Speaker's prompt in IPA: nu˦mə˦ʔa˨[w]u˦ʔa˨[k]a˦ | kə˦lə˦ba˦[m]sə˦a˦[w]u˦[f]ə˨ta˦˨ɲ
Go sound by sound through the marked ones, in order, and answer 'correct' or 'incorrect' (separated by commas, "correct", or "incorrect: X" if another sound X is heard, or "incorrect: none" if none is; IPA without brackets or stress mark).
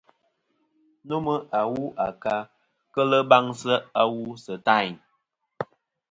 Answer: correct, correct, incorrect: ŋ, correct, incorrect: s